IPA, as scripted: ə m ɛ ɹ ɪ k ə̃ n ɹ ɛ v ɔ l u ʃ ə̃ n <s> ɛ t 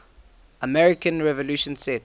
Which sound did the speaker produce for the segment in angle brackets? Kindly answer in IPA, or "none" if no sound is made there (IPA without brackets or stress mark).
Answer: s